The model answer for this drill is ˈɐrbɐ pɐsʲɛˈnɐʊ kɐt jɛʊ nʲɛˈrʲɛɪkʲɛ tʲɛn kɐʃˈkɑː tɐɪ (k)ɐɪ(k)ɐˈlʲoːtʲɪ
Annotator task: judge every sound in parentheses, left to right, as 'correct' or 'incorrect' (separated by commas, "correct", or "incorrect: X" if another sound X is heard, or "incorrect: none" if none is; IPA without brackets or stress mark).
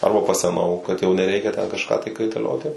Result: correct, incorrect: t